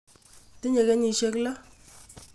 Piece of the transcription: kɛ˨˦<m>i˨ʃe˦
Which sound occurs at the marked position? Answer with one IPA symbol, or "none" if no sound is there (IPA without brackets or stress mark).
ɲ